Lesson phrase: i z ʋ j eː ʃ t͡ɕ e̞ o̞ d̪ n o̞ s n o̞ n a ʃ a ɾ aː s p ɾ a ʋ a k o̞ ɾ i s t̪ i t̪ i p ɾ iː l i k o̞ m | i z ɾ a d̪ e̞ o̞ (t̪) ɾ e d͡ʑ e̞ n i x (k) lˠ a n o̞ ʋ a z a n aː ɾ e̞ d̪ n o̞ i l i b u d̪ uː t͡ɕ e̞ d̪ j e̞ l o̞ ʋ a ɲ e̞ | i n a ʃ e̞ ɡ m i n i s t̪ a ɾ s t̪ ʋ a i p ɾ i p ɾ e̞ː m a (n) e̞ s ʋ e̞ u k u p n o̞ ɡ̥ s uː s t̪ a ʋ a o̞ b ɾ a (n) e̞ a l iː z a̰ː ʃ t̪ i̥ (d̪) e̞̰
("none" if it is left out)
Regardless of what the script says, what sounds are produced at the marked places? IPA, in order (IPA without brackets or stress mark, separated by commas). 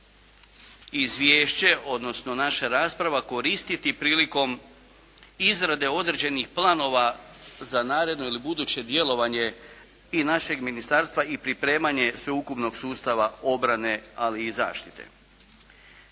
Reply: d̪, p, ɲ, n, t̪